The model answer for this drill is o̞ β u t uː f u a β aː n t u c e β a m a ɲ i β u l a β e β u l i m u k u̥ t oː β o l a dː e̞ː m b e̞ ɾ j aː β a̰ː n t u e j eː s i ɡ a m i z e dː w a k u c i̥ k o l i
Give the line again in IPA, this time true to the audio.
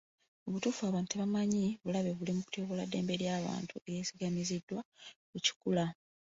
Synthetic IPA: o̞ β u t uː f u a β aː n t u t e β a m a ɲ i β u l a β e β u l i m u k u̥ t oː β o l a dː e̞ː m b e̞ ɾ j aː β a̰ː n t u e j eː s i ɡ a m i z i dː w a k u c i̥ k u l a